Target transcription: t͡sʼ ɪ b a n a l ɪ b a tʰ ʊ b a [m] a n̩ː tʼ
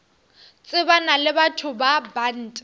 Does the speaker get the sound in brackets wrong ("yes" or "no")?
yes